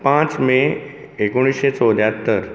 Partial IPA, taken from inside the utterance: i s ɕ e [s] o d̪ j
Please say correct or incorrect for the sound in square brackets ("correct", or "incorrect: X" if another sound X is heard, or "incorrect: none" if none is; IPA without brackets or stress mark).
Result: incorrect: t͡s